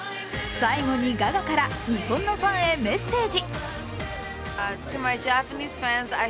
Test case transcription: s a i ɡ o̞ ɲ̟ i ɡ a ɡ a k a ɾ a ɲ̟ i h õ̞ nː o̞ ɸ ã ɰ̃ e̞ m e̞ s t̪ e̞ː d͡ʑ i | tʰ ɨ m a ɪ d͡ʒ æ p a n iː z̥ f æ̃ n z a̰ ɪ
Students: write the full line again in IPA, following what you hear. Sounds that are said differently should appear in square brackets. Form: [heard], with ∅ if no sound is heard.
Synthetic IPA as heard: s a i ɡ o̞ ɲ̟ i ɡ a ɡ a k a ɾ a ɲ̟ i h õ̞ nː o̞ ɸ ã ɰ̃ e̞ m e̞ s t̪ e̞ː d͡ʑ i | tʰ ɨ m a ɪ d͡ʒ æ p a n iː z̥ f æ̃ n z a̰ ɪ